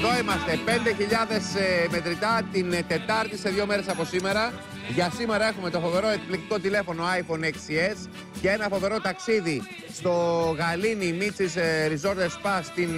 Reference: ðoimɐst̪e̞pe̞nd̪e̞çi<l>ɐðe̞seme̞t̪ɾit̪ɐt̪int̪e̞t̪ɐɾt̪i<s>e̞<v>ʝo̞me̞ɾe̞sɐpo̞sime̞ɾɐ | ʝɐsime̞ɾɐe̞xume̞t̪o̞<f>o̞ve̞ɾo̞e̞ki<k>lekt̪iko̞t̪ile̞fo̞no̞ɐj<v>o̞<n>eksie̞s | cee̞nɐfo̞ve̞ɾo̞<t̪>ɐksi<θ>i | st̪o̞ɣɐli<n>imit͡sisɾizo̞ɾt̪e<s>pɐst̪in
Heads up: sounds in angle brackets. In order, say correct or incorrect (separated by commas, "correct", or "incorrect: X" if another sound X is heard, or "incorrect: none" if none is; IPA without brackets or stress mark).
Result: incorrect: ʎ, correct, incorrect: ð, correct, incorrect: p, incorrect: f, correct, correct, incorrect: ð, correct, correct